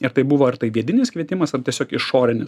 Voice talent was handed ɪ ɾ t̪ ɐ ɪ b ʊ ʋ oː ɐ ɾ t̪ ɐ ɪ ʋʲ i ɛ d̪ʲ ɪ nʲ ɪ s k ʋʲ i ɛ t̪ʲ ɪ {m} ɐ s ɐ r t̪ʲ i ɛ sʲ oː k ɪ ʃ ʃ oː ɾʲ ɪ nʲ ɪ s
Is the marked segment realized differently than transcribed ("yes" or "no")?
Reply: no